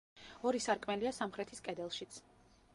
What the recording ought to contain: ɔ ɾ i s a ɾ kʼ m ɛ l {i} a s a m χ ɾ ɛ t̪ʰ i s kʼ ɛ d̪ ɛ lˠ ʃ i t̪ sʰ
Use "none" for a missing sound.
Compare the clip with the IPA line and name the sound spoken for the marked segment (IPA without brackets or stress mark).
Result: i